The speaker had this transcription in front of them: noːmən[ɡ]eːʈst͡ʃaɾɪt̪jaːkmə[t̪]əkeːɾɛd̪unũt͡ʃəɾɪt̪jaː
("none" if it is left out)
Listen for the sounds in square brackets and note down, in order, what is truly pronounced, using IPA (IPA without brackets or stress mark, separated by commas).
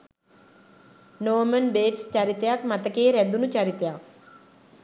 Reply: b, t̪